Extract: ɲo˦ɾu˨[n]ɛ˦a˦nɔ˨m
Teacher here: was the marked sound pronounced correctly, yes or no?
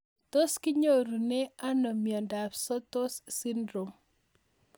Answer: yes